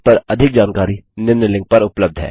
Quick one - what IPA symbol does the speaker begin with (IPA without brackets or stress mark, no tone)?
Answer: p